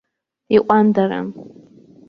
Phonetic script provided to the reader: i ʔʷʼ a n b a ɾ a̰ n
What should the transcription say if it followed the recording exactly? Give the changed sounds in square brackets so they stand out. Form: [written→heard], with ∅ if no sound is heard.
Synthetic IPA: i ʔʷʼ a n [b→d] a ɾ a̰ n